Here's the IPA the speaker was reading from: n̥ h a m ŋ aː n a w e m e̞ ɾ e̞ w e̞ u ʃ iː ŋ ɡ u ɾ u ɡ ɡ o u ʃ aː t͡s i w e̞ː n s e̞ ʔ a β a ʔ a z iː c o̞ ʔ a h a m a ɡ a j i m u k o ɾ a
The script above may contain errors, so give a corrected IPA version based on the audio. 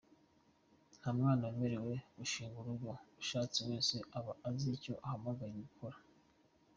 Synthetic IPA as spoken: n̥ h a m ŋ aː n a w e m e̞ ɾ e̞ w e̞ u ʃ iː ŋ ɡ u ɾ u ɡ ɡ o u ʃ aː t͡s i w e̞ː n s e̞ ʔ a β a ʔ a z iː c o̞ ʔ a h a m a ɡ a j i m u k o ɾ a